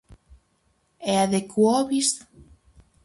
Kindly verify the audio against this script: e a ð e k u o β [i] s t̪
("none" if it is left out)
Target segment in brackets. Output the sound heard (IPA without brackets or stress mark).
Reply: i